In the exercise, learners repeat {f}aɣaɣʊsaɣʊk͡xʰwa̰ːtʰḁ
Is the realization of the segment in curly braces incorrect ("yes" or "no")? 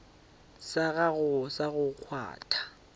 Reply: yes